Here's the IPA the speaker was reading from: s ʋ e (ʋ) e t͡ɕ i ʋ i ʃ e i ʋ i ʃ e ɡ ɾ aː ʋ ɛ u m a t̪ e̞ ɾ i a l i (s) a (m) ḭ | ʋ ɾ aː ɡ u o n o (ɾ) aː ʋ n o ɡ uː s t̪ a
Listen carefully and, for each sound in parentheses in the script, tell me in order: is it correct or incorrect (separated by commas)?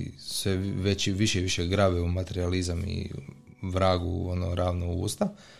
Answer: correct, incorrect, correct, correct